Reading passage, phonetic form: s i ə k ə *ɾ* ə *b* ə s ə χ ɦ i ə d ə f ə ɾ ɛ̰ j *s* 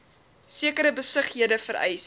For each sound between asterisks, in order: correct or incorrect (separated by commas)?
correct, correct, correct